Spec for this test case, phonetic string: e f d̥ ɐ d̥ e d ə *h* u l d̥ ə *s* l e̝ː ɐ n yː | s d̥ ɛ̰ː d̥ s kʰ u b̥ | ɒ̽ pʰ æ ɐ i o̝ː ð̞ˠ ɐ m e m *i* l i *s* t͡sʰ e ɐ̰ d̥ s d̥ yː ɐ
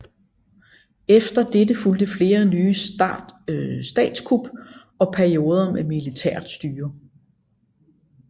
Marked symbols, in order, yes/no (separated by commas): no, no, yes, no